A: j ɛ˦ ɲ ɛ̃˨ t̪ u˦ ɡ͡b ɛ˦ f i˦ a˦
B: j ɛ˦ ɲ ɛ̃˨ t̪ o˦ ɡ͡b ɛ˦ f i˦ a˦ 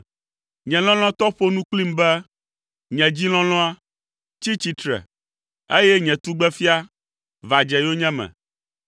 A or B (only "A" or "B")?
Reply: A